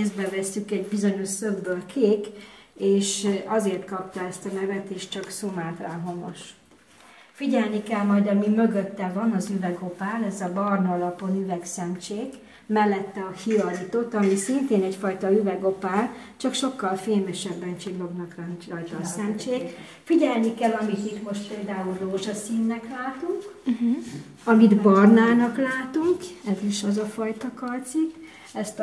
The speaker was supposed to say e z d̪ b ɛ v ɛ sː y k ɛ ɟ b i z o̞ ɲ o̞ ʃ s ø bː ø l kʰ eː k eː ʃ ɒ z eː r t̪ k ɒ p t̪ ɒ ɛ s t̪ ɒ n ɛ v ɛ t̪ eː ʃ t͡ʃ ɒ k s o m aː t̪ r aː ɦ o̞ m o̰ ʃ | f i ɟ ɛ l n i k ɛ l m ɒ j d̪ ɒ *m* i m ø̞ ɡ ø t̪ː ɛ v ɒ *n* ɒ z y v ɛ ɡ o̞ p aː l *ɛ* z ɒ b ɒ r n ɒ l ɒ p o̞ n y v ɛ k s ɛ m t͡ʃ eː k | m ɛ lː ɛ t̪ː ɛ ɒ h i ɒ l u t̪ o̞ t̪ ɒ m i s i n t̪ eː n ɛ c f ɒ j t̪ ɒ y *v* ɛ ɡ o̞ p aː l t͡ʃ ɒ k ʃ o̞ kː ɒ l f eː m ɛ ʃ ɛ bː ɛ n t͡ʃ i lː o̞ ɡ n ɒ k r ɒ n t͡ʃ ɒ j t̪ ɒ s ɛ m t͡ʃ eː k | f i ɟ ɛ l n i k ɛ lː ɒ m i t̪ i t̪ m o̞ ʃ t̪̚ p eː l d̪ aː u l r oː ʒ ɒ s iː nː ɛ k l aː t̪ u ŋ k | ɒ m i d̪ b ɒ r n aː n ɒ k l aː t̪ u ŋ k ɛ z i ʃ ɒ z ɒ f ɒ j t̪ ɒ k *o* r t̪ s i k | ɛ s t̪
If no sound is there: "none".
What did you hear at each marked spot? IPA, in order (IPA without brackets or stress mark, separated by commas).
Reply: m, n, ɛ, v, ɒ